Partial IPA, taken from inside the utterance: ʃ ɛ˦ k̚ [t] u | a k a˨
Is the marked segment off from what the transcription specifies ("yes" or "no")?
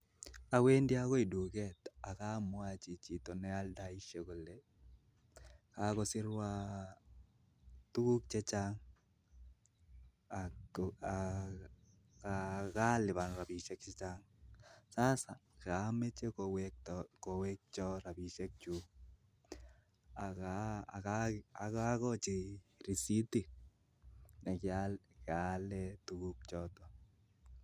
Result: yes